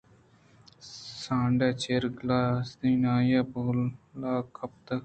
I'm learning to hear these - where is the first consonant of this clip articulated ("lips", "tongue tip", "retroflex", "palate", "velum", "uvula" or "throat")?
tongue tip